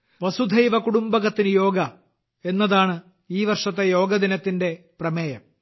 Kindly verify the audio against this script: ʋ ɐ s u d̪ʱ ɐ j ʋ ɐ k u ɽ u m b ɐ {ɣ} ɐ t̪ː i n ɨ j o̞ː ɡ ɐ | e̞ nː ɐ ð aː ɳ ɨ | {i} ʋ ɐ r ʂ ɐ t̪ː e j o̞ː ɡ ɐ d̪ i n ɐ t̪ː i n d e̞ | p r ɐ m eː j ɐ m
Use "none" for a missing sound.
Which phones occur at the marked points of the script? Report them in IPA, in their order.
ɣ, iː

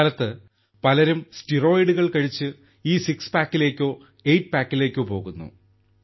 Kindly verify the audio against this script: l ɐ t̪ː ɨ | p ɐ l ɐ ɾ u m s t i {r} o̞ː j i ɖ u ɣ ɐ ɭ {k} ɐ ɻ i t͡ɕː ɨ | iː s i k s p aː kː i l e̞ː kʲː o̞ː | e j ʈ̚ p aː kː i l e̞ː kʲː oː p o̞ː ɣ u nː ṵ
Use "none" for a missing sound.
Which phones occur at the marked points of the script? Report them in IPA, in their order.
r, k

